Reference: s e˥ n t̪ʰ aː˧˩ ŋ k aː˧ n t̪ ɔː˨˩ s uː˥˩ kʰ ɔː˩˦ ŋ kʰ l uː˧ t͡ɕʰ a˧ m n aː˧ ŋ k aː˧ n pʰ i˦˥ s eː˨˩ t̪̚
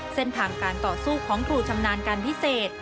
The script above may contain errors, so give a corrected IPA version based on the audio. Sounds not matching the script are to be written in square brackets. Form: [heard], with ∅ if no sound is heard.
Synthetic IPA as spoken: s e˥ n t̪ʰ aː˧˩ ŋ k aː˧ n t̪ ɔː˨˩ s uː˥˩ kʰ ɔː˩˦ ŋ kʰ [ɾ] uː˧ t͡ɕʰ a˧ m n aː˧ [n] k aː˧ n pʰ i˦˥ s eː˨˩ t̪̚